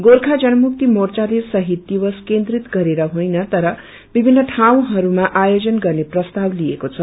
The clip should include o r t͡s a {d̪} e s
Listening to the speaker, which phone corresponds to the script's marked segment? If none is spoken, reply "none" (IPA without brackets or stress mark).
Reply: d̪